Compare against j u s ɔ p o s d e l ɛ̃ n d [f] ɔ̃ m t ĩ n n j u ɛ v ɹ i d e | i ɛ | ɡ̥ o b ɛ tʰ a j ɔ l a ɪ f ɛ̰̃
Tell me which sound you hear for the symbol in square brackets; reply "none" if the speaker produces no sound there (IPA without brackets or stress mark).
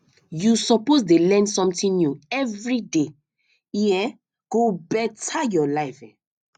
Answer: s